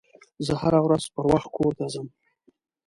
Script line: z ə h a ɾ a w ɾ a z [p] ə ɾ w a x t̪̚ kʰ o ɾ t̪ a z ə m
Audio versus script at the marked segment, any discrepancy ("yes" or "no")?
no